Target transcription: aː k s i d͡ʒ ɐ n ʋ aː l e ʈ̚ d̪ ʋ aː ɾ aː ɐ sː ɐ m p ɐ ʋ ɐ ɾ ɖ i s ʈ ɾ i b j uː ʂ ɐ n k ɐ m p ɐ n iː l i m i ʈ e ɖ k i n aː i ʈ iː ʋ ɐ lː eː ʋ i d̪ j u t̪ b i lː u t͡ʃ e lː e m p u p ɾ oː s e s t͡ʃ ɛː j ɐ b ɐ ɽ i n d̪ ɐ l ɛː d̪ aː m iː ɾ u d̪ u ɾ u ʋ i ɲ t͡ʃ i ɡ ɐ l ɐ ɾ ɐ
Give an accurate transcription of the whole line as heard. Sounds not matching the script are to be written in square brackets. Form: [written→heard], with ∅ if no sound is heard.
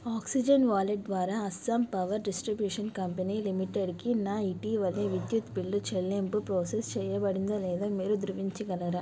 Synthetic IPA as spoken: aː k s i d͡ʒ ɐ n ʋ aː l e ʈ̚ d̪ ʋ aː ɾ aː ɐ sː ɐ m p ɐ ʋ ɐ ɾ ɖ i s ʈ ɾ i b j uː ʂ ɐ n k ɐ m p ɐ n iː l i m i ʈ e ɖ k i n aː i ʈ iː ʋ ɐ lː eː ʋ i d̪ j u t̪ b i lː u t͡ʃ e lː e m p u p ɾ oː s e s t͡ʃ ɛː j ɐ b ɐ ɽ i n d̪ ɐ l ɛː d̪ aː m iː ɾ u d̪ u ɾ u ʋ i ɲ t͡ʃ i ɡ ɐ l ɐ ɾ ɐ